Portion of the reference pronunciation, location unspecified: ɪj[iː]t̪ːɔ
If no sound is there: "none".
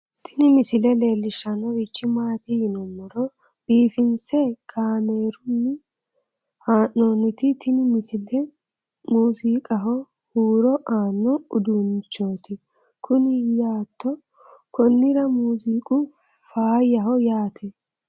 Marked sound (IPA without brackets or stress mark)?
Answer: aː